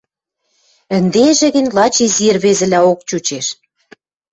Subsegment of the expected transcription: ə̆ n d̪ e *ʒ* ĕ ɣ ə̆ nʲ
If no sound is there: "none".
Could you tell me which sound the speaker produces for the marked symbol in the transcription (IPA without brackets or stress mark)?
ʒ